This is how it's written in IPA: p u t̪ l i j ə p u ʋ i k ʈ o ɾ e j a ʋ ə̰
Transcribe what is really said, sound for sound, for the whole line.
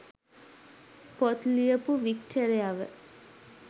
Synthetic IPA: p o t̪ l i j ə p u ʋ i k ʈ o ɾ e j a ʋ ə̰